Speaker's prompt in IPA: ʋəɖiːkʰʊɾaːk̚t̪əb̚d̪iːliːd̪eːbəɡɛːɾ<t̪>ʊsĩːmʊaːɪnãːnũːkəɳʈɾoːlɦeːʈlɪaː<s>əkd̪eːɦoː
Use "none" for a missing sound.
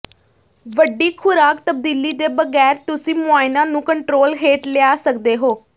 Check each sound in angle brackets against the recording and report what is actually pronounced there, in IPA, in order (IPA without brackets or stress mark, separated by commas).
t̪, s